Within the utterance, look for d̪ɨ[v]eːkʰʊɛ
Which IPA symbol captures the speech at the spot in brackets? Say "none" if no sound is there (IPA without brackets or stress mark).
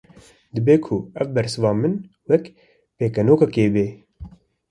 b